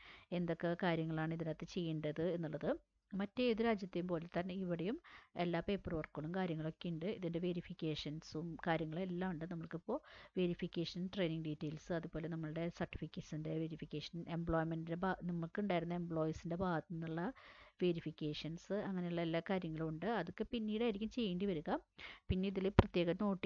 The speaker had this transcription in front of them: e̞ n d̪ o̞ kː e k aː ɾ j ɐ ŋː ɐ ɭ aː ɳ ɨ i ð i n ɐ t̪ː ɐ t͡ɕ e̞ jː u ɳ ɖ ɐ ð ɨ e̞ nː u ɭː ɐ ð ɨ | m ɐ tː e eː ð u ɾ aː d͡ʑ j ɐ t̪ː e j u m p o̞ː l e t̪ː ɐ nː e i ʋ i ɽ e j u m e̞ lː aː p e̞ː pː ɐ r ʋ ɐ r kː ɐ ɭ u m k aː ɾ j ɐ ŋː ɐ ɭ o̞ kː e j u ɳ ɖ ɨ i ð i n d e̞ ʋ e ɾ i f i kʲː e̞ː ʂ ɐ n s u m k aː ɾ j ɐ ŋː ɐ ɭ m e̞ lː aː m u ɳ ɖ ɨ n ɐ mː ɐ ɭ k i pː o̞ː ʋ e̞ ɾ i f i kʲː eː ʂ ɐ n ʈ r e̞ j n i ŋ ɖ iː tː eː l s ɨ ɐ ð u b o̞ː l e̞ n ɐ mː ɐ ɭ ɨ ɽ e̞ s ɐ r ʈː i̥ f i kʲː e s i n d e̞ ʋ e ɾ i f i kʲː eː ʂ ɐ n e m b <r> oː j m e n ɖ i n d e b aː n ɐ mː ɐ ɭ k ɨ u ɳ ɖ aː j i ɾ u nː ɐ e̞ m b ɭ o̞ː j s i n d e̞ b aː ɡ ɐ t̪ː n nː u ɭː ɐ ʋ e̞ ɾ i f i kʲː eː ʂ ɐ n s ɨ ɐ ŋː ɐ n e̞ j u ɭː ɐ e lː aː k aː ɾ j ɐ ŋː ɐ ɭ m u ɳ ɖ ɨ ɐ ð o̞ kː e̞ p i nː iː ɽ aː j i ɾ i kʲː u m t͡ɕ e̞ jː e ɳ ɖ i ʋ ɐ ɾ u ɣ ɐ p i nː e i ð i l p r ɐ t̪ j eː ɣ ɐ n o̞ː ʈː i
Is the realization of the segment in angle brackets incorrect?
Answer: yes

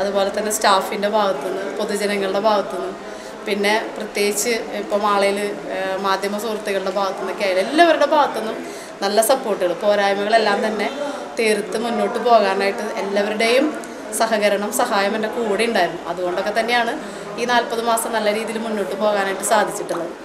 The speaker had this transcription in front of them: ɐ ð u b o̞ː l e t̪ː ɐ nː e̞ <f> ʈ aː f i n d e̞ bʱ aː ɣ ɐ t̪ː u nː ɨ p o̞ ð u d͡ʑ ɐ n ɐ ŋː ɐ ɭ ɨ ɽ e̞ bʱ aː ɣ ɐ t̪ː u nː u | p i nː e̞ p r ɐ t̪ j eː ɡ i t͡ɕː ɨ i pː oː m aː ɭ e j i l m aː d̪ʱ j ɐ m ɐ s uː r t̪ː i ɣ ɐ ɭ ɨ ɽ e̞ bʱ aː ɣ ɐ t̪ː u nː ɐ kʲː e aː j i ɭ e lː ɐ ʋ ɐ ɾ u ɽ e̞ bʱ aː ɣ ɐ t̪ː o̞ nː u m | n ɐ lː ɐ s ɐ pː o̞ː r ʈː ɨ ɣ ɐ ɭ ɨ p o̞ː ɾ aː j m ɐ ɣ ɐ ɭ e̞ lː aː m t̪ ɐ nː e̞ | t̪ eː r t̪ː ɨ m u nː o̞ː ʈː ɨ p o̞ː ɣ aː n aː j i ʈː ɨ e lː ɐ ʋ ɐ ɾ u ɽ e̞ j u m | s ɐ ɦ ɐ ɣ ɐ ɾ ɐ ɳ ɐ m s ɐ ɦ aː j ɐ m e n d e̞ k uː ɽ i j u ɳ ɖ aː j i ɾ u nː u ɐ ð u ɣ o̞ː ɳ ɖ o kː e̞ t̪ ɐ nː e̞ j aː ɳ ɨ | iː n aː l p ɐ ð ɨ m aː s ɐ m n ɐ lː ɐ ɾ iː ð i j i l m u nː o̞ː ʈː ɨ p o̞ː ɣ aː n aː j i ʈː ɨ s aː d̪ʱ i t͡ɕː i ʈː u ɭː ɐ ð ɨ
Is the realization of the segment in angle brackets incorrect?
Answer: yes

